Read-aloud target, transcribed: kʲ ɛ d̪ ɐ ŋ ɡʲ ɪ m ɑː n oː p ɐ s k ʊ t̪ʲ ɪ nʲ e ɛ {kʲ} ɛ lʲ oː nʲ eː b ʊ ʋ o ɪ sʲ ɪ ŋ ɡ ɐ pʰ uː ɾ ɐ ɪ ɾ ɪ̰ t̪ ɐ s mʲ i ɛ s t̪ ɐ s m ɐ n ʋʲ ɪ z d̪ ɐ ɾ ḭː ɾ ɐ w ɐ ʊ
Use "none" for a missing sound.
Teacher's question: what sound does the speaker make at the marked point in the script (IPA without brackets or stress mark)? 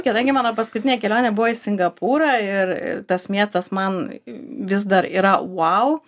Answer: kʲ